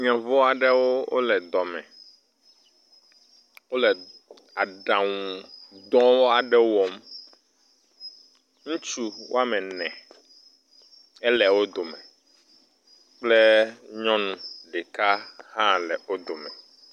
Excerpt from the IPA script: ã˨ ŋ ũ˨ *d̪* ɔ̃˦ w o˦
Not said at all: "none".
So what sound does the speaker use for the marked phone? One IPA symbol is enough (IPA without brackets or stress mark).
d̪